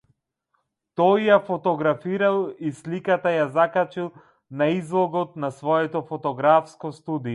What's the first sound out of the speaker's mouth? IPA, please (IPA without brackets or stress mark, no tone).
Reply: t̪